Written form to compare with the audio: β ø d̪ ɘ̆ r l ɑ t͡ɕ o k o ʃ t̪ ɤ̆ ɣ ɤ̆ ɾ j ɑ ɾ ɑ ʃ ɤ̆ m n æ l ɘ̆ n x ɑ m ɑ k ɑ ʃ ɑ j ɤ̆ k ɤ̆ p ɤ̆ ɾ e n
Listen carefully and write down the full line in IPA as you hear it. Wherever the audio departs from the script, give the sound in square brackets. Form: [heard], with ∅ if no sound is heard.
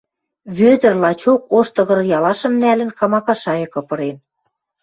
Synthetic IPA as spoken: β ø d̪ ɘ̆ r l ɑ t͡ɕ o k o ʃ t̪ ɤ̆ ɣ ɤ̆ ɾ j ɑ [l] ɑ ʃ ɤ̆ m n æ l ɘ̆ n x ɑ m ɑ k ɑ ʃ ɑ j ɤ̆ k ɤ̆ p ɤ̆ ɾ e n